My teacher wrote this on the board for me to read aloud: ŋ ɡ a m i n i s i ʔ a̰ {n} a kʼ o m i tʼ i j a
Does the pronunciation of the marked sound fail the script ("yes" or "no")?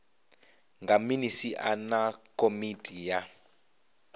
no